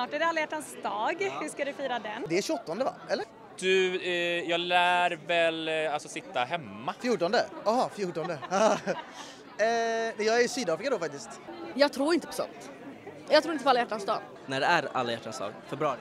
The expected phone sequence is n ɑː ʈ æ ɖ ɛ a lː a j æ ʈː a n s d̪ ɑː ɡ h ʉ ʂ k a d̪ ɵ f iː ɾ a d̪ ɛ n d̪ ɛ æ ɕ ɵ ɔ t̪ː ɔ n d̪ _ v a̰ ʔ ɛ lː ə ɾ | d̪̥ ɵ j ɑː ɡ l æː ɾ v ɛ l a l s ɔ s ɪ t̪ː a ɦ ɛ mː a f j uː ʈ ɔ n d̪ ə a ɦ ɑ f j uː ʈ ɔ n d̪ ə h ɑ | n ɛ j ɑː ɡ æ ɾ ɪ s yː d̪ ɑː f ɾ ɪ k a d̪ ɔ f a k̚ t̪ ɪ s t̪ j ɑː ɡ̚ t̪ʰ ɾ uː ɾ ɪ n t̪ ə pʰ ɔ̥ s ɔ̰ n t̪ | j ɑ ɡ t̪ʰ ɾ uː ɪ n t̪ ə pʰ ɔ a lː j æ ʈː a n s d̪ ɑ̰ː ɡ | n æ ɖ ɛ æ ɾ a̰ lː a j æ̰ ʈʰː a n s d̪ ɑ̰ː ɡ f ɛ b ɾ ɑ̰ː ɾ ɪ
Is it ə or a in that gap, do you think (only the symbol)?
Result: ə